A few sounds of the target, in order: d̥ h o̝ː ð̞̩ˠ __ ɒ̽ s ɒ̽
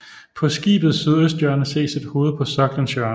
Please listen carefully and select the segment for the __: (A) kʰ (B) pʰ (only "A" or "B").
B